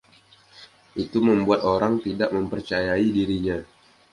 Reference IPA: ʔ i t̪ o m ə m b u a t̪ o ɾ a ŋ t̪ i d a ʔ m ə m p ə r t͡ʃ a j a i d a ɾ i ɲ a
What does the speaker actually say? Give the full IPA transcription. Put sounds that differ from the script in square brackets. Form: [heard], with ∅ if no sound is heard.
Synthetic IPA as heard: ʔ i t̪ [u] m ə m b u a t̪ o ɾ a ŋ t̪ i d a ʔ m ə m p ə r t͡ʃ a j a i d [i] ɾ i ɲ a